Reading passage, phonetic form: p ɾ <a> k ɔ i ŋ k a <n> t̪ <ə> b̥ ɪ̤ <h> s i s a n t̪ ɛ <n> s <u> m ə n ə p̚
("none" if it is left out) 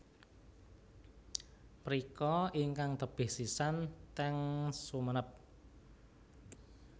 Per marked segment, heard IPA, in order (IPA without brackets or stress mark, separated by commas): i, ŋ, ə, h, ŋ, u